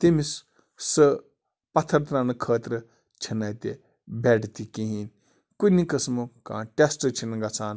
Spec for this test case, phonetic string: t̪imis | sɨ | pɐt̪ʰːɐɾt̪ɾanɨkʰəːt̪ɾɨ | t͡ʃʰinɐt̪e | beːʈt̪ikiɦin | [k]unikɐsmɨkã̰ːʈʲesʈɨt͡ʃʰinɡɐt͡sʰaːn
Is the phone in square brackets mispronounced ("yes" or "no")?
no